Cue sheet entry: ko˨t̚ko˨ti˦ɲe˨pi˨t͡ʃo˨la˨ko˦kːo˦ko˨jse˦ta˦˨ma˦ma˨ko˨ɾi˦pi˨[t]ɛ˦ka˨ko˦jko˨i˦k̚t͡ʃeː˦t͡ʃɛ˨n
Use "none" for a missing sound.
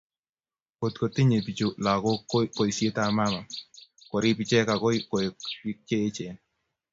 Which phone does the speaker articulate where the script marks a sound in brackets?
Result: t͡ʃ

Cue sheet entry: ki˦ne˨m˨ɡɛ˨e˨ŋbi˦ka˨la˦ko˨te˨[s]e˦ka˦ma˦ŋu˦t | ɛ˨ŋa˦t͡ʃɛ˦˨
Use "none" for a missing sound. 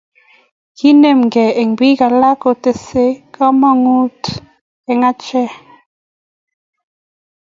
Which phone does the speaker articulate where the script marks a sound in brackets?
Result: s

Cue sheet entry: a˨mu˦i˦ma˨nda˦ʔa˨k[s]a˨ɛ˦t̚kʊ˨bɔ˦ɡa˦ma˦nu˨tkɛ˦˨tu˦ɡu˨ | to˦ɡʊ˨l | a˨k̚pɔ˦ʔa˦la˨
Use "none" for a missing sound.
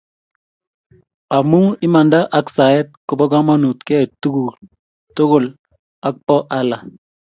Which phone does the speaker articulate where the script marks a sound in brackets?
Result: s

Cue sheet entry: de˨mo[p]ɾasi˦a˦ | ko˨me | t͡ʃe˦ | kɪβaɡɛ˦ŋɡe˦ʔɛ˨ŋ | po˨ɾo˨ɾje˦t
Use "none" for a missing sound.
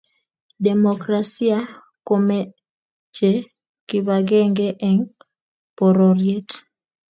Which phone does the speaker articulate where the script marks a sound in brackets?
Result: k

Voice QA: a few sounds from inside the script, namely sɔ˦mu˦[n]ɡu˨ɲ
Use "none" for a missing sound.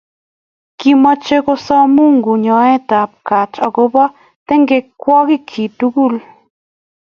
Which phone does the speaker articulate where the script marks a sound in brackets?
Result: ŋ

